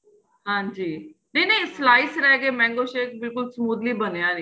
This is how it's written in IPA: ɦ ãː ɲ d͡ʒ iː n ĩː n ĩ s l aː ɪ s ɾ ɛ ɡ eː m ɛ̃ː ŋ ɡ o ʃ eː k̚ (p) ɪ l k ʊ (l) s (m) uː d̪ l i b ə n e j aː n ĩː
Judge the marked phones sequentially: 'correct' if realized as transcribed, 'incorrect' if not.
incorrect: b, correct, correct

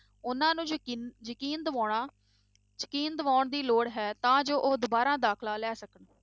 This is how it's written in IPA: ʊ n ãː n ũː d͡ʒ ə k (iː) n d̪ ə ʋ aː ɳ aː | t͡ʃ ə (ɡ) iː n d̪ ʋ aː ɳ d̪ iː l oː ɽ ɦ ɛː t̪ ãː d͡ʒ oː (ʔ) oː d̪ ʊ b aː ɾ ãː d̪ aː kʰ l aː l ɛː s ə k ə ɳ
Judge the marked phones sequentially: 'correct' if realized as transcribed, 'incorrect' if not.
correct, incorrect: k, correct

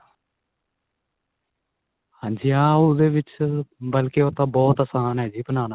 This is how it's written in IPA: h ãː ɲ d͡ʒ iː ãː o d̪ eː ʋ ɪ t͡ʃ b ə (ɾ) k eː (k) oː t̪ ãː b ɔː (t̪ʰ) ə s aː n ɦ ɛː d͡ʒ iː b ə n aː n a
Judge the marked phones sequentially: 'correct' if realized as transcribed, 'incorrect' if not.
incorrect: l, incorrect: none, incorrect: t̪

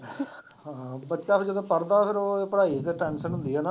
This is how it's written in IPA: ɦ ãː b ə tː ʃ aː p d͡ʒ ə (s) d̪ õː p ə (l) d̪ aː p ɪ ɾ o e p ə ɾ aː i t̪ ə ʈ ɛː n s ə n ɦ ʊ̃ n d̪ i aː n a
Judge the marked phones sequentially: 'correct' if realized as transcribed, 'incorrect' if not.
incorrect: none, incorrect: ɾ

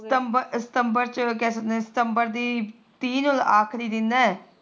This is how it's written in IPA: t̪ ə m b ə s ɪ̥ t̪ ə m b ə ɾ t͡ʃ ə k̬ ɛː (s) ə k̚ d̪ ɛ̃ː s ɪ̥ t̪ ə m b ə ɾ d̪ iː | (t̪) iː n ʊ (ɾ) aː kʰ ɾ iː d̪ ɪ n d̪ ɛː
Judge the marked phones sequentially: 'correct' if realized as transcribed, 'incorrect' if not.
correct, correct, incorrect: l

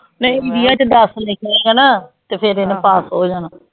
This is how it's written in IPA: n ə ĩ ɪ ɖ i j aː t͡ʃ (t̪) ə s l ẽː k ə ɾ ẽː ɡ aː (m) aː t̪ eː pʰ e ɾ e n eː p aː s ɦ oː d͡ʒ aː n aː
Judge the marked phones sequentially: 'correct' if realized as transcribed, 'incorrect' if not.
incorrect: d̪, incorrect: n

